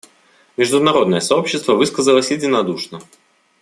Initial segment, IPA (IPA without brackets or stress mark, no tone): mʲ